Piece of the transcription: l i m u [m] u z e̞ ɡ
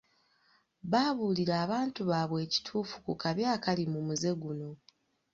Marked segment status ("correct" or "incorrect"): correct